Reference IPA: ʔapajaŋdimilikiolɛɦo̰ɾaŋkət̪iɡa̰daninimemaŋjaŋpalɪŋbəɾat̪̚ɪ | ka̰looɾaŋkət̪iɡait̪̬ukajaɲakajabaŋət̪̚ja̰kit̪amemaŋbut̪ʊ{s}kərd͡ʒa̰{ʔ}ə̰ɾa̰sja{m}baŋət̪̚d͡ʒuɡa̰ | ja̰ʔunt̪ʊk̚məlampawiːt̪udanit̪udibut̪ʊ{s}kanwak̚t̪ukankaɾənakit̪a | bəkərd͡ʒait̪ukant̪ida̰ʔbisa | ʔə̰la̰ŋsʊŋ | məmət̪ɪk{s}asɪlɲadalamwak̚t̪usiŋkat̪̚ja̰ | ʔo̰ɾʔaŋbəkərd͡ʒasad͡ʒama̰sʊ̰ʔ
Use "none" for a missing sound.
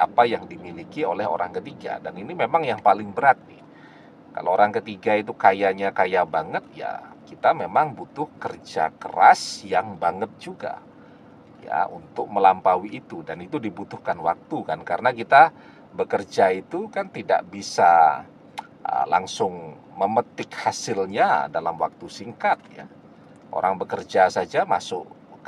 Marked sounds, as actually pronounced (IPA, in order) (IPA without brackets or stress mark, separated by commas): h, k, ŋ, h, h